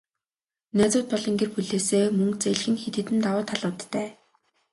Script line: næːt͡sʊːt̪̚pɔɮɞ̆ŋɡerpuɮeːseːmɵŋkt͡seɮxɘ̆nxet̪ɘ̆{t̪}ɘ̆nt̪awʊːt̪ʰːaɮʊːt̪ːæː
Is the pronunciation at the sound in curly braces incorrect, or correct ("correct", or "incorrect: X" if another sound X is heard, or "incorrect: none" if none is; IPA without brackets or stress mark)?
correct